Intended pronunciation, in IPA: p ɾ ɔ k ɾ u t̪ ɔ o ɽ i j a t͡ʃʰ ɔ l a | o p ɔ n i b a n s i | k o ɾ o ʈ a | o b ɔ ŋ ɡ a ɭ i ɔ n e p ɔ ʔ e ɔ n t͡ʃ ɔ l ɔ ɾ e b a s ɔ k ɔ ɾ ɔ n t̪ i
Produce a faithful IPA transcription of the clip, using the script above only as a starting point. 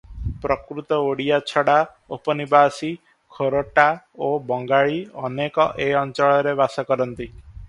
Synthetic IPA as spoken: p ɾ ɔ k ɾ u t̪ ɔ o ɽ i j a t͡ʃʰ ɔ ɽ a | o p ɔ n i b a s i | kʰ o ɾ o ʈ a | o b ɔ ŋ ɡ a ɭ i ɔ n e k ɔ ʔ e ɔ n t͡ʃ ɔ ɭ ɔ ɾ e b a s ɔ k ɔ ɾ ɔ n t̪ i